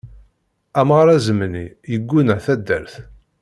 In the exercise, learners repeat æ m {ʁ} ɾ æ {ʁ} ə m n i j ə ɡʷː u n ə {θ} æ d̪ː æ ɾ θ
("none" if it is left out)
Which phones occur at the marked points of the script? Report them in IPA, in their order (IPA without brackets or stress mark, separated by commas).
ʁ, z, θ